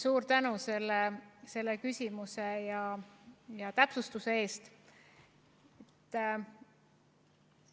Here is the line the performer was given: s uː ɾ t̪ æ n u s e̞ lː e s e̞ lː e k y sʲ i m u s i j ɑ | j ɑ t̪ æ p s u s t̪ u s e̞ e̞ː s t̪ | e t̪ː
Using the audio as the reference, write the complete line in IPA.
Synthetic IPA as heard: s uː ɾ t̪ æ n u s e̞ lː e s e̞ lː e k y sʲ i m u s e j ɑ | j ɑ t̪ æ p s u s t̪ u s e̞ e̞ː s t̪ | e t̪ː

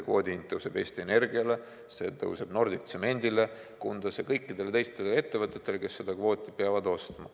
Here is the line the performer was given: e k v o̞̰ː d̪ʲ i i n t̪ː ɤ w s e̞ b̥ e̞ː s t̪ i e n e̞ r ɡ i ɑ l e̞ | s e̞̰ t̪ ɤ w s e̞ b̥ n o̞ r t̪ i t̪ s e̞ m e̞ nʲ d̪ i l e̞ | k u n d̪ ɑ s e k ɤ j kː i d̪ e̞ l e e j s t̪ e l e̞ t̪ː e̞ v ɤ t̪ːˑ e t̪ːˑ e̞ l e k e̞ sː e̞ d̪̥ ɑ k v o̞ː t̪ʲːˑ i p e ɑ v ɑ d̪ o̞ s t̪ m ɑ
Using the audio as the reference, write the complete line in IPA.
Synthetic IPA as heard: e k v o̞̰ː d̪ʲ i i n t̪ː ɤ w s e̞ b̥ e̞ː s t̪ i e n e̞ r ɡ i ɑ l e̞ | s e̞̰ t̪ ɤ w s e̞ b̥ n o̞ r d̪ i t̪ s e̞ m e̞ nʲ d̪ i l e̞ | k u n d̪ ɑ s e k ɤ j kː i d̪ e̞ l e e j s t̪ e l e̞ t̪ː e̞ v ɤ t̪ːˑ e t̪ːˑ e̞ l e k e̞ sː e̞ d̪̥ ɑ k v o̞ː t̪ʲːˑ i p e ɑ v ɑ d̪ o̞ s t̪ m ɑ

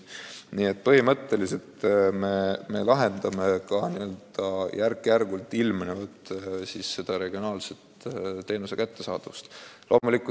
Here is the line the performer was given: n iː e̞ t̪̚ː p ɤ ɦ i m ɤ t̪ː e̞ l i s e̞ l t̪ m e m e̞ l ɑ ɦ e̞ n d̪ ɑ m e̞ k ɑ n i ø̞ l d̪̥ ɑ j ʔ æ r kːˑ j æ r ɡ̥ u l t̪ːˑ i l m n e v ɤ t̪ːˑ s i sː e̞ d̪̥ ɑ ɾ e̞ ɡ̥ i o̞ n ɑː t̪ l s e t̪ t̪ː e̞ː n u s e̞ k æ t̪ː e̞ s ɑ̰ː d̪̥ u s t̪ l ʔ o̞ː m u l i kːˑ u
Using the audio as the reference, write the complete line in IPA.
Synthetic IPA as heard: n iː e̞ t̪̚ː p ɤ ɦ i m ɤ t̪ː e̞ l i s e̞ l t̪ m e m e̞ l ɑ ɦ e̞ n d̪ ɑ m e̞ k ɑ n i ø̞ l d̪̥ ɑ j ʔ æ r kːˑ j æ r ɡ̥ u l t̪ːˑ i l m n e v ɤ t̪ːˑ s i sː e̞ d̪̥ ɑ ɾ e̞ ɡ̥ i o̞ n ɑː l s e t̪ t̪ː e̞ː n u s e̞ k æ t̪ː e̞ s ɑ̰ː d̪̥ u s t̪ l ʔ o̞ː m u l i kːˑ u

